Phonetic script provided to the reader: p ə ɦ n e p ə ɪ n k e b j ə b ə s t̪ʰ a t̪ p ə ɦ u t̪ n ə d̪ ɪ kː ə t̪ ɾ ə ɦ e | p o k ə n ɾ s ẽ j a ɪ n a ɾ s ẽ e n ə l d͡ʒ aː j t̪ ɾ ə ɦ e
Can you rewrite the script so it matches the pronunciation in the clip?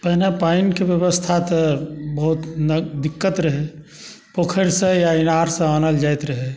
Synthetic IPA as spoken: p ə ɦ n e p a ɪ n k e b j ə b ə s t̪ʰ a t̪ b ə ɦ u t̪ n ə d̪ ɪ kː ə t̪ ɾ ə ɦ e | p o kʰ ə ɾ s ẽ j a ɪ n a ɾ s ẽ a n ə l d͡ʒ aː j t̪ ɾ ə ɦ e